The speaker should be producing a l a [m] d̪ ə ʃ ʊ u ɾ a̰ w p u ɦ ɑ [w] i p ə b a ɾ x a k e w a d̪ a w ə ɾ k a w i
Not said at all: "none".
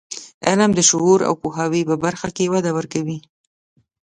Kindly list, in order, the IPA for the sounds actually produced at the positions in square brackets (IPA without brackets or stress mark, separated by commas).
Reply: m, w